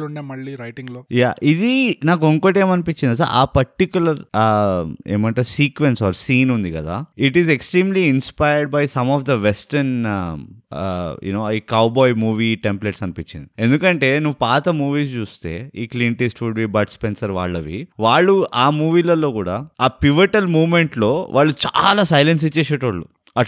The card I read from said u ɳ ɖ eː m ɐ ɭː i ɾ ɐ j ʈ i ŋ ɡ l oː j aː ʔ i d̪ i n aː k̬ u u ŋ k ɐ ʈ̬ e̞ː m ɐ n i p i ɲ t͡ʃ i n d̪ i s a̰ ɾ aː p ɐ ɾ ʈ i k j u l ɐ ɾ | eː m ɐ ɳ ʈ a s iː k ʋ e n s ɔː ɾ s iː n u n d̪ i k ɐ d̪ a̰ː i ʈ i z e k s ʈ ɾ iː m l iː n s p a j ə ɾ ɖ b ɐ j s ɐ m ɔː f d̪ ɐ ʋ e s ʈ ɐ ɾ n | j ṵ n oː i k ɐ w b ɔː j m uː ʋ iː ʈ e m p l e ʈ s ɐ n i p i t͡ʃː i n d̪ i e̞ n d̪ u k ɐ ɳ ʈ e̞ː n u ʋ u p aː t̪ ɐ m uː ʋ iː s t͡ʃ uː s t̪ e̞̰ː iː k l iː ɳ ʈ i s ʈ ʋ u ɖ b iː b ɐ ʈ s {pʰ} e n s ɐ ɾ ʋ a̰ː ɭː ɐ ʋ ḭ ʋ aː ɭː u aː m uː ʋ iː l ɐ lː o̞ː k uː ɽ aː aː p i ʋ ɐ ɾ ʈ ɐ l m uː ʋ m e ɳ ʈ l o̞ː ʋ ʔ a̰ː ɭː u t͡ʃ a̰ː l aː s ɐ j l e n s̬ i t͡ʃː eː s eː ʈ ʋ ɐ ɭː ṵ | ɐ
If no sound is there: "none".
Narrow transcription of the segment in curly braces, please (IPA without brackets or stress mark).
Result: p